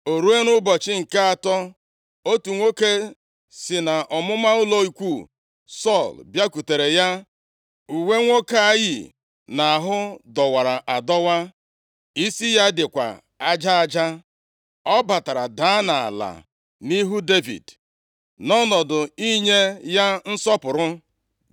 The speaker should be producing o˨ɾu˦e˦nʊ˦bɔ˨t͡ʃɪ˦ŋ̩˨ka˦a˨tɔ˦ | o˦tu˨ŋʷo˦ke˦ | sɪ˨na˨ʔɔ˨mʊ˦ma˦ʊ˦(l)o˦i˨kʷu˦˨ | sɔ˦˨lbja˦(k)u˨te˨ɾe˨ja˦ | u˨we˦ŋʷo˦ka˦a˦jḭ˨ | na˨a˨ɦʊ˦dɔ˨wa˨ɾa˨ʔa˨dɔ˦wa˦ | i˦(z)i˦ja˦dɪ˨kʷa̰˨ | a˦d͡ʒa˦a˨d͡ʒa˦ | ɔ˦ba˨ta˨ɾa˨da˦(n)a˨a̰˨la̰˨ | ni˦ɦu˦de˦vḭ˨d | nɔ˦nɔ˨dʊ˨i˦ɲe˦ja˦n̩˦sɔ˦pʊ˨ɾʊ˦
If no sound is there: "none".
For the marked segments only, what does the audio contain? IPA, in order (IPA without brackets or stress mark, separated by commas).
l, k, s, n